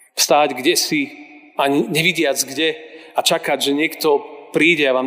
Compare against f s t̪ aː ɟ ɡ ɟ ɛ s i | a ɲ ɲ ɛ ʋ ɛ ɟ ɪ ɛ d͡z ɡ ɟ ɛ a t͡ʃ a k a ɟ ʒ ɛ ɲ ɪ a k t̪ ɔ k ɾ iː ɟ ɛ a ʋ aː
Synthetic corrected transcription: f s t̪ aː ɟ ɡ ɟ ɛ s i | a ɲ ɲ ɛ ʋ i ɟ ɪ a d͡z ɡ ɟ ɛ a t͡ʃ a k a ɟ ʒ ɛ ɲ ɪ ɛ k t̪ ɔ p ɾ iː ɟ ɛ a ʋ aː